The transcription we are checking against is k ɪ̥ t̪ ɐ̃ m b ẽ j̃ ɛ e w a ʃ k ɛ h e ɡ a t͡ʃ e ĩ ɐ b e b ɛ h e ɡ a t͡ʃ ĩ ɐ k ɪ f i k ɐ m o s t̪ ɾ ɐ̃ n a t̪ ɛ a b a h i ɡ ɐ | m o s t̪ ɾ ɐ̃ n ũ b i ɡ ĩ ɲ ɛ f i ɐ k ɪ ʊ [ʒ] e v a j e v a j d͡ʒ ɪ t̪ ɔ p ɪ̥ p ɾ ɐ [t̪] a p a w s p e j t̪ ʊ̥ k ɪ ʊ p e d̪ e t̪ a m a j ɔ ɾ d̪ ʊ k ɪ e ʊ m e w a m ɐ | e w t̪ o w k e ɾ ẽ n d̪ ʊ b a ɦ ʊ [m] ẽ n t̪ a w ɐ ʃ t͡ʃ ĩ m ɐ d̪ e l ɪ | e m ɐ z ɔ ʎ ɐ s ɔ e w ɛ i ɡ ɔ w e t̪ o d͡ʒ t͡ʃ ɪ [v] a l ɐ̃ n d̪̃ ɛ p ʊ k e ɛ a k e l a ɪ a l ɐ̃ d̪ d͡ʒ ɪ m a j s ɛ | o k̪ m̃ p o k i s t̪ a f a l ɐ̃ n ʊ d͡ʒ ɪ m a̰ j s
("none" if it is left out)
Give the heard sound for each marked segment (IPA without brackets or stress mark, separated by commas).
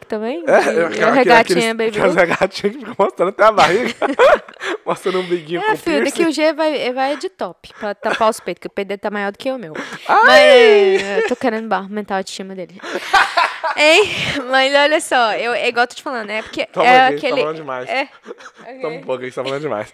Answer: ʒ, t̪, m, f